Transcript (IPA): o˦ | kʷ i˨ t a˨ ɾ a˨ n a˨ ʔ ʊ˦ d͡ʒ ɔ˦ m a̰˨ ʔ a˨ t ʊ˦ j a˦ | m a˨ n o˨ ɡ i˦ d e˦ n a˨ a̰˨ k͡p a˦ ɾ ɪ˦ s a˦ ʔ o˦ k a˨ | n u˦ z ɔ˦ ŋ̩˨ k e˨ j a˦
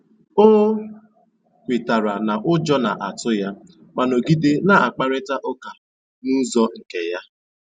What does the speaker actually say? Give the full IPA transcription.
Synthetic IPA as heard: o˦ | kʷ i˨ t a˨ ɾ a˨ n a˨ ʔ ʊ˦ d͡ʒ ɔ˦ n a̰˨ ʔ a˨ t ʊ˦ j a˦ | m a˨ n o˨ ɡ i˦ d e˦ n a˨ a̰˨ k͡p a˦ ɾ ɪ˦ t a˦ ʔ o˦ k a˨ | n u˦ z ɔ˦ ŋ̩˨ k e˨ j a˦

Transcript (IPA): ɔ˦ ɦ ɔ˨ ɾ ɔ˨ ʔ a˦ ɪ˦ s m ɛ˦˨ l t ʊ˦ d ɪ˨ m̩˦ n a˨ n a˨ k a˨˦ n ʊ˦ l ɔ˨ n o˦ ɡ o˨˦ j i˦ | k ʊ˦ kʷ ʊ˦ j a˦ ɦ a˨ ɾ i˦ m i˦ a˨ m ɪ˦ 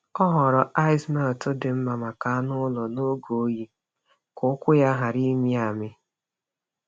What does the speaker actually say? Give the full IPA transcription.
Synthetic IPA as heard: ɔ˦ ɦ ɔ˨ ɾ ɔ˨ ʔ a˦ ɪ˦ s m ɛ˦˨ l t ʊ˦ d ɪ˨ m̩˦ m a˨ m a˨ k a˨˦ n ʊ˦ l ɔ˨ n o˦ ɡ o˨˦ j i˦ | k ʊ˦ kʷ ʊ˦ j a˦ ɦ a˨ ɾ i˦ m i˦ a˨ m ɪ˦

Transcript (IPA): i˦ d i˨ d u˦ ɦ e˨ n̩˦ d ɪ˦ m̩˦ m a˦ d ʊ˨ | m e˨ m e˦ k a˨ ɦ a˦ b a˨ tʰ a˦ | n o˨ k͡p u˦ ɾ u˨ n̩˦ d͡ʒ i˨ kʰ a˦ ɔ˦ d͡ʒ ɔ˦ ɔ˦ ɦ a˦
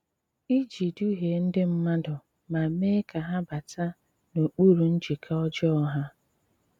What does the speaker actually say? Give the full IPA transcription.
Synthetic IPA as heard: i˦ d͡ʒ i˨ d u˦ ɦ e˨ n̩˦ d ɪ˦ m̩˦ m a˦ d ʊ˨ | m a˨ m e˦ k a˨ ɦ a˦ b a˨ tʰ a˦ | n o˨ k͡p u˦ ɾ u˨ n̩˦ d͡ʒ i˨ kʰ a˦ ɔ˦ d͡ʒ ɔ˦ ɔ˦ ɦ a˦

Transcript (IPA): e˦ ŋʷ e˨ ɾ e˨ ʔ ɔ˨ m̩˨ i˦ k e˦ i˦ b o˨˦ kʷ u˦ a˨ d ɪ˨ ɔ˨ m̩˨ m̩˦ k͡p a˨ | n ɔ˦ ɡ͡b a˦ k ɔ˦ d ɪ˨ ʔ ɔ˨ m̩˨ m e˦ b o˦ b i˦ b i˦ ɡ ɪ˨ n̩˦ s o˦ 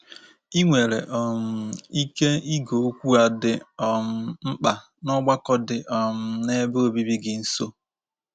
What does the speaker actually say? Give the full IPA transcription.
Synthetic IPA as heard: i˦ ŋʷ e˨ ɾ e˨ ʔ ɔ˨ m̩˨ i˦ k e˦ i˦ ɡ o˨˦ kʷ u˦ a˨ d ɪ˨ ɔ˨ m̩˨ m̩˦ k͡p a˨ | n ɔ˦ ɡ͡b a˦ k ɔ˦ d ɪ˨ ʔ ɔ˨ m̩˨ n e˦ b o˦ b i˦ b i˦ ɡ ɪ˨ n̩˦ s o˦

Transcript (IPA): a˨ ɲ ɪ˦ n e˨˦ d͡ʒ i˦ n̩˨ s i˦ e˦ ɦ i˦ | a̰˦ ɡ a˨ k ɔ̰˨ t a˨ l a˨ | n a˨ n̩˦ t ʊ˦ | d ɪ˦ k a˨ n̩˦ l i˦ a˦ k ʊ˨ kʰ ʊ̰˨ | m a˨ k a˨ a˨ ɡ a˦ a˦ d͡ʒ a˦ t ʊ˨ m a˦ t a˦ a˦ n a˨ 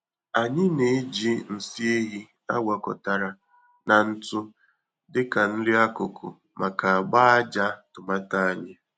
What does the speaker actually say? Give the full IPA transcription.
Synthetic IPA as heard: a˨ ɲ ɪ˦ n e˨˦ d͡ʒ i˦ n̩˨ s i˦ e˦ ɦ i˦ | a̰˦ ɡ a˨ k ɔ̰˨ t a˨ ɾ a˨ | n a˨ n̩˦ t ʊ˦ | d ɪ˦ k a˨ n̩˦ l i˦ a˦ k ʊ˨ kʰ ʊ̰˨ | m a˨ k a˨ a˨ ɡ͡b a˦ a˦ d͡ʒ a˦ t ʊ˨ m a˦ t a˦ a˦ ɲ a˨

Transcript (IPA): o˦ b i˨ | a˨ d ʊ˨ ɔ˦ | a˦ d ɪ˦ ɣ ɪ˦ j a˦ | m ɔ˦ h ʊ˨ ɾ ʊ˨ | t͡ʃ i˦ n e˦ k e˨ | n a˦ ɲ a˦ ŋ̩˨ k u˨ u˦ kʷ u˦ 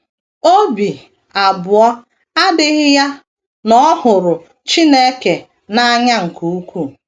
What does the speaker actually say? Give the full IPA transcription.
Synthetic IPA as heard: o˦ b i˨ | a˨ b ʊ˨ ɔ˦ | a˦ d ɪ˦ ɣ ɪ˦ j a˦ | n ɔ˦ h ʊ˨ ɾ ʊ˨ | t͡ʃ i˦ n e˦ k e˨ | n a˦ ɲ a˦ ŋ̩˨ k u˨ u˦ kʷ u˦

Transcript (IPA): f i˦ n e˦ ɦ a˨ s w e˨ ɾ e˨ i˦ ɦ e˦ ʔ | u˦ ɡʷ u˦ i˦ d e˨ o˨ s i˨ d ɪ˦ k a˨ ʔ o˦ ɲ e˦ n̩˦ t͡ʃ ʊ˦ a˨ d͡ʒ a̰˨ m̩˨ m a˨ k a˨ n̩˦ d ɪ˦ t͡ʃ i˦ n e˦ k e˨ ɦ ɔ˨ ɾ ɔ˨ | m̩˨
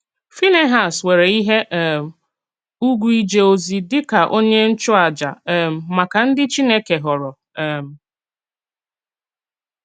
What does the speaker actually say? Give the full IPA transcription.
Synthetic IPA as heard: f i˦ n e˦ ɦ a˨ s w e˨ ɾ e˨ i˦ ɦ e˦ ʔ | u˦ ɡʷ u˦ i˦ d͡ʒ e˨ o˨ z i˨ d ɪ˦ k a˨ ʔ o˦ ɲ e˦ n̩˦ t͡ʃ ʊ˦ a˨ d͡ʒ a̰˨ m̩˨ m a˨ k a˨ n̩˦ d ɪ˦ t͡ʃ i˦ n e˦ k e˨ ɦ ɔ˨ ɾ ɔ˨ | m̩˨

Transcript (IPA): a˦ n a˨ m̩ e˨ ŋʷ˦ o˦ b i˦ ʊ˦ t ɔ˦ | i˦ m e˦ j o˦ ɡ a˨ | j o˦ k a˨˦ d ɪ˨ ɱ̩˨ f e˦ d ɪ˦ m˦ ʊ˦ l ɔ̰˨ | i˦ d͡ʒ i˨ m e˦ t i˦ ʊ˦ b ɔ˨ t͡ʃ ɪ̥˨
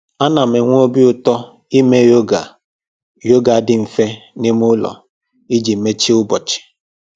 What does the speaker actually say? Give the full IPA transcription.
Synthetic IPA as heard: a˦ n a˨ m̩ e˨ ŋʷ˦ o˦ b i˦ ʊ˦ t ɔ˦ | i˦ m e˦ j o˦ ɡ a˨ | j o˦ ɡ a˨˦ d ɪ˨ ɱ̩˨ f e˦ n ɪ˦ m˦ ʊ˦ l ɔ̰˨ | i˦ d͡ʒ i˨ m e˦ t͡ʃ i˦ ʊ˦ b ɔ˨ t͡ʃ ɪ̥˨

